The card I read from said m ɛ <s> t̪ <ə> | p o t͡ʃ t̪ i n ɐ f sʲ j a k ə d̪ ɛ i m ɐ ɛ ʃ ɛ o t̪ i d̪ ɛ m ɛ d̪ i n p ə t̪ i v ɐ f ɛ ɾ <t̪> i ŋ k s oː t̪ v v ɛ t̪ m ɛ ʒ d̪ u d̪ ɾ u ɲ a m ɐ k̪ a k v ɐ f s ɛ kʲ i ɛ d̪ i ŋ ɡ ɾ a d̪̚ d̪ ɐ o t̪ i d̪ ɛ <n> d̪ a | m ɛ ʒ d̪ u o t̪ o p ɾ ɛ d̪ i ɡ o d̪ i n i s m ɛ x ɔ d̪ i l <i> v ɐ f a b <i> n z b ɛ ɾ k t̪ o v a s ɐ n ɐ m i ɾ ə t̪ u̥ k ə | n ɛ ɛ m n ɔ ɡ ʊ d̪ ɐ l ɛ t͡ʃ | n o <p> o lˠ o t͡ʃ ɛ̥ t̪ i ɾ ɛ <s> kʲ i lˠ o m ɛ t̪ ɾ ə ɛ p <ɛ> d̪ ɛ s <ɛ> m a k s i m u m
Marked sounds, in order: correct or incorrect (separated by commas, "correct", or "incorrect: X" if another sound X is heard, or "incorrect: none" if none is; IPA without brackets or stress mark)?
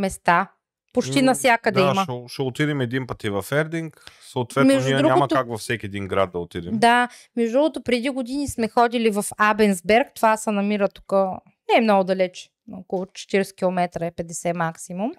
correct, incorrect: a, incorrect: d̪, incorrect: m, correct, incorrect: ɛ, incorrect: k, correct, correct, correct